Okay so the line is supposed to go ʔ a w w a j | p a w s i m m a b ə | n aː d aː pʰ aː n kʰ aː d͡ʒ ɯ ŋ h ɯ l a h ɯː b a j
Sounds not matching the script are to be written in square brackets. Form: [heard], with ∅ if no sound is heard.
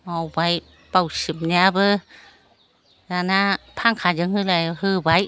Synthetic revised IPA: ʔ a w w a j | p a w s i m [ɲ] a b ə | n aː [n] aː pʰ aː [ŋ] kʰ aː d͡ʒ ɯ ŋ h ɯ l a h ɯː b a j

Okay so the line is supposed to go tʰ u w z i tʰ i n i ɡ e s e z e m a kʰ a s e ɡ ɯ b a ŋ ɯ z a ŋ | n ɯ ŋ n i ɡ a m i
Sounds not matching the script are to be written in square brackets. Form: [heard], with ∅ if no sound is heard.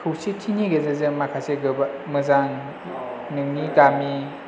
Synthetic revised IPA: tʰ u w [s] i tʰ i n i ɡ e [z] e z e m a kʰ a s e ɡ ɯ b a [m] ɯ z a ŋ | n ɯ ŋ n i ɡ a m i

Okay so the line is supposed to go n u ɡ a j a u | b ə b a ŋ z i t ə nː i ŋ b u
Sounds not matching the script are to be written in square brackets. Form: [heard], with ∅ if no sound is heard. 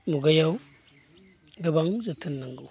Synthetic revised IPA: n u ɡ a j a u | [ɡ] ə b a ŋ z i t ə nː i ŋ [ɡ] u

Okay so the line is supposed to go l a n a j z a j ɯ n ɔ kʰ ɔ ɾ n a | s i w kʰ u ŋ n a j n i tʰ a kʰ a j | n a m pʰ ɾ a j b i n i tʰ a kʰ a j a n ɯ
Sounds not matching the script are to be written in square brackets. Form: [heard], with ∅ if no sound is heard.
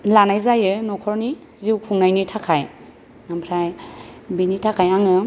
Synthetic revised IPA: l a n a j z a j ɯ n ɔ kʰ ɔ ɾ n [i] | [z] i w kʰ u ŋ n a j n i tʰ a kʰ a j | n a m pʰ ɾ a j b i n i tʰ a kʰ a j a [ŋ] ɯ

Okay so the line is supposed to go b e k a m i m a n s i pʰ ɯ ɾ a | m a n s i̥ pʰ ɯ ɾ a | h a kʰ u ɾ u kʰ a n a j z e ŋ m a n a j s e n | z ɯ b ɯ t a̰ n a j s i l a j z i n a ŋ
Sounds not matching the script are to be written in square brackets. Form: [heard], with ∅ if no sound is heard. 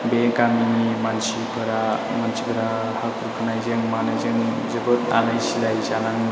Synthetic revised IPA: b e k a m i m a n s i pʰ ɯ ɾ a | m a n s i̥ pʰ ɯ ɾ a | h a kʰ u ɾ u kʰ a n a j z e ŋ m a n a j [z] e [ŋ] | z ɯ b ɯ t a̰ n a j s i l a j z [a] n a ŋ

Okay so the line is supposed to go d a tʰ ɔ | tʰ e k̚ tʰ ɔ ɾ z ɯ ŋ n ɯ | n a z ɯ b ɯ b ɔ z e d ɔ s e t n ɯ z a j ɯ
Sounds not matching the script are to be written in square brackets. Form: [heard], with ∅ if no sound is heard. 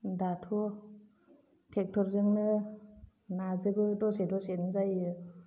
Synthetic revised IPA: d a tʰ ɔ | tʰ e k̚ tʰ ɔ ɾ z ɯ ŋ n ɯ | n a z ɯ b ɯ [d] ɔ [s] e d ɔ s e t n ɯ z a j ɯ

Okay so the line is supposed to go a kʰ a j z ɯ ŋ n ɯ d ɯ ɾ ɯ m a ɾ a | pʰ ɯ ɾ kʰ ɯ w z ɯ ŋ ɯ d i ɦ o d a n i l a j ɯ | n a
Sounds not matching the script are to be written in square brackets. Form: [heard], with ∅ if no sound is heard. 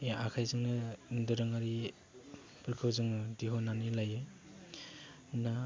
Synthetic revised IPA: a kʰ a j z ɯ ŋ n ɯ d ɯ ɾ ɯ [ŋ] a ɾ [i] | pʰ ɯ ɾ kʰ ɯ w z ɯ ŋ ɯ d i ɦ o [n] a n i l a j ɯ | n a

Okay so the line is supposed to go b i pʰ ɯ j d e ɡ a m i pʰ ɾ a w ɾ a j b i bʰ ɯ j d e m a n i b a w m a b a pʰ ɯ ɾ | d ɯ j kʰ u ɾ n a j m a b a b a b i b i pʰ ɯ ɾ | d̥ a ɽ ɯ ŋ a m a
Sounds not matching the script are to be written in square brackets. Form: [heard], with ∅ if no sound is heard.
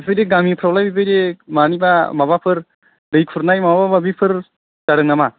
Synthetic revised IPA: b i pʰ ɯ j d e ɡ a m i pʰ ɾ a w [l] a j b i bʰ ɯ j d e m a n i b a [∅] m a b a pʰ ɯ ɾ | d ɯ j kʰ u ɾ n a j m a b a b a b [a] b i pʰ ɯ ɾ | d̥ a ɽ ɯ ŋ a m a

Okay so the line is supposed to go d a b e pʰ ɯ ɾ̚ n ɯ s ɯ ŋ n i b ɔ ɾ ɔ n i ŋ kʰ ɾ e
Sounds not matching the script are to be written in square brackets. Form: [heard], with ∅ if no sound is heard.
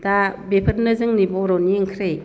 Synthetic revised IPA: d a b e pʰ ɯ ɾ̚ n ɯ [z] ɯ ŋ n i b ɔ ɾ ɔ n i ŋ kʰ ɾ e

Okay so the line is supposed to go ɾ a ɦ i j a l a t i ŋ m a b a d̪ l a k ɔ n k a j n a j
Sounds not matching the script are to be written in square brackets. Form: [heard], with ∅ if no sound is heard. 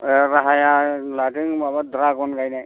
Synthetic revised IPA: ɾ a ɦ [a] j a l a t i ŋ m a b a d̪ [ɾ] a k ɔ n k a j n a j

